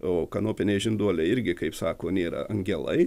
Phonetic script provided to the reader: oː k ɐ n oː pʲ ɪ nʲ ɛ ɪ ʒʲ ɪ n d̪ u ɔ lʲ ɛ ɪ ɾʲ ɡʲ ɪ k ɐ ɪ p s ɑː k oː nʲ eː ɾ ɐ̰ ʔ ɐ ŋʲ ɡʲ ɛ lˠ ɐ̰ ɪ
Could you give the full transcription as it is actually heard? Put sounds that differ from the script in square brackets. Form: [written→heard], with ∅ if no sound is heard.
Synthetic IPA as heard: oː k ɐ n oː pʲ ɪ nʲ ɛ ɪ ʒʲ ɪ n d̪ u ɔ lʲ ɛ ɪ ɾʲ ɡʲ ɪ k ɐ ɪ p s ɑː k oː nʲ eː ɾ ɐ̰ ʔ ɐ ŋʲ ɡʲ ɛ lˠ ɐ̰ ɪ